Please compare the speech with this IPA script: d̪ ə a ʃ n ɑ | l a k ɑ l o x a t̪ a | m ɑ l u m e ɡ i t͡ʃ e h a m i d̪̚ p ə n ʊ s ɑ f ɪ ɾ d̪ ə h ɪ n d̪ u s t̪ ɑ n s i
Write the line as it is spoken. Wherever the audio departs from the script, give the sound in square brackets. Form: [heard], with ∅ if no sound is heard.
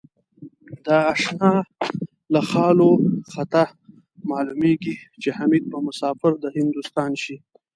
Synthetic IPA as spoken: d̪ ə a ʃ n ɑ | l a [x] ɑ l o x a t̪ a | m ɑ l u m e ɡ i t͡ʃ e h a m i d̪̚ p ə [m] ʊ s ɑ f ɪ ɾ d̪ ə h ɪ n d̪ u s t̪ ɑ n [ʃ] i